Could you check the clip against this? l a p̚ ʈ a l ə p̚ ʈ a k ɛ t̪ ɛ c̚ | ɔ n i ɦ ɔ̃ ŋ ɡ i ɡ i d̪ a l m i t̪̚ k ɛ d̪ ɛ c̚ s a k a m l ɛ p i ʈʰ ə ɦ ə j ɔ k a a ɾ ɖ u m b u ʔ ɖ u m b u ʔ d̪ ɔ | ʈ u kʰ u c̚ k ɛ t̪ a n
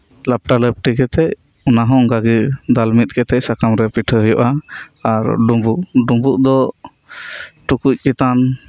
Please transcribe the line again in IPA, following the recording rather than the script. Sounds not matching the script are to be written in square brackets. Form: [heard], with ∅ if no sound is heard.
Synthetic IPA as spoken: l a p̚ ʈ a l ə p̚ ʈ [i] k ɛ t̪ ɛ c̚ | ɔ n [a] ɦ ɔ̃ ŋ ɡ [a] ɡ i d̪ a l m i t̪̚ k ɛ [t̪] ɛ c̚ s a k a m [ɾ] ɛ p i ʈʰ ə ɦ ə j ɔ [ʔ] a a ɾ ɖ u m b u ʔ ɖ u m b u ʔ d̪ ɔ | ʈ u [k] u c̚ k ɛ t̪ a n